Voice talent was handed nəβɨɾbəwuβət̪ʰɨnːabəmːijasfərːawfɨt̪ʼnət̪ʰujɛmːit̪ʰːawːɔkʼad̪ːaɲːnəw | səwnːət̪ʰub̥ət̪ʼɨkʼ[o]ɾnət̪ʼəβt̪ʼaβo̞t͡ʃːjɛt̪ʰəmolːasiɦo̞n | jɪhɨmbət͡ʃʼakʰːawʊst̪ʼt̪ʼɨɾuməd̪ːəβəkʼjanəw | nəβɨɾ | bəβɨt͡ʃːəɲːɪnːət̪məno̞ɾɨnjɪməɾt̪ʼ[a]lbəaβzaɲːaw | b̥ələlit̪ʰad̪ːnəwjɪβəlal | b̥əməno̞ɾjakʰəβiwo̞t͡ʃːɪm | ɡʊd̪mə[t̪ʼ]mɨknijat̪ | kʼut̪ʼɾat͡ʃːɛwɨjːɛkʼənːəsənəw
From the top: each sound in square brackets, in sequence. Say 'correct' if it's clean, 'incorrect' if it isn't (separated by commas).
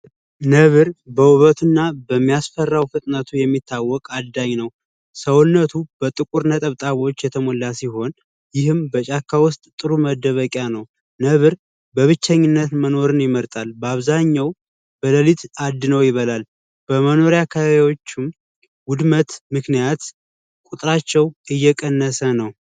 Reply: incorrect, correct, incorrect